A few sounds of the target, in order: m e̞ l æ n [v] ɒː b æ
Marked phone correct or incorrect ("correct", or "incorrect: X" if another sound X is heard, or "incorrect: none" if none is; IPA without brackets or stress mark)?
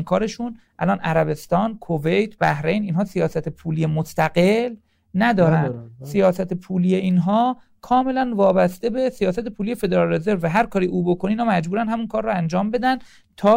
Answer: correct